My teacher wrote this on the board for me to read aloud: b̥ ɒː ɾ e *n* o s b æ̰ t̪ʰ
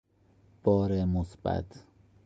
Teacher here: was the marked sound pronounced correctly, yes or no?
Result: no